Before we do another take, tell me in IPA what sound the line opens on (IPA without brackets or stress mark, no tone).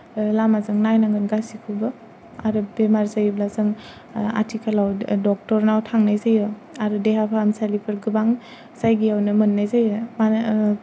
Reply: l